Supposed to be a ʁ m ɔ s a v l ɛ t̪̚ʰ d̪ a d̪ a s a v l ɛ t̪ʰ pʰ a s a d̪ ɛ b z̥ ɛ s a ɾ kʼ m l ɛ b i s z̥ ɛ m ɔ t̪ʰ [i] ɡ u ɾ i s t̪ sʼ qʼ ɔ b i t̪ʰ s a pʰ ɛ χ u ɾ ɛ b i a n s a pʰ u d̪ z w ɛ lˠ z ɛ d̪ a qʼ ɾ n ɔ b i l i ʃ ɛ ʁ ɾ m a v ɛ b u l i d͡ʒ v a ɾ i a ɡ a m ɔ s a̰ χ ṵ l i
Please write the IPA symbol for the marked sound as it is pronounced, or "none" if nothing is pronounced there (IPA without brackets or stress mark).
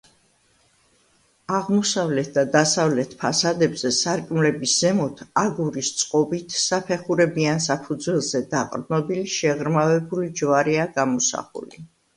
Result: a